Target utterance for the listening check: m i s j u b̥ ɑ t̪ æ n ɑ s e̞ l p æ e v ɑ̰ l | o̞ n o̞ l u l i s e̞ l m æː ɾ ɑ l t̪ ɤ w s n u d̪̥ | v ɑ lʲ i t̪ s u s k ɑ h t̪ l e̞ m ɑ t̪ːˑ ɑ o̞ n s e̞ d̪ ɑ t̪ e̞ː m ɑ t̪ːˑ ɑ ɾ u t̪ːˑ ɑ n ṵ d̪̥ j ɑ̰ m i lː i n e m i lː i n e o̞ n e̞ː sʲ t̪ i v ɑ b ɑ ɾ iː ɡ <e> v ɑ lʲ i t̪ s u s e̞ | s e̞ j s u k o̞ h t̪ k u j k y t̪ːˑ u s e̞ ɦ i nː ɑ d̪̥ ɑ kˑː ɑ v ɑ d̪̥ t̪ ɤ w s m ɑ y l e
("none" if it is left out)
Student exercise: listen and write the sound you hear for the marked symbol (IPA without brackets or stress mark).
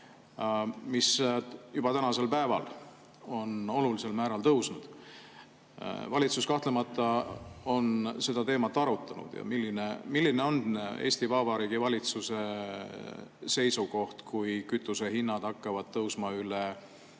i